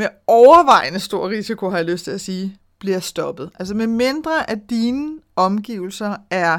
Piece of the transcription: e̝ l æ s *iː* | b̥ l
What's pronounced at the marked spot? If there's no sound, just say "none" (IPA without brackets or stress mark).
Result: iː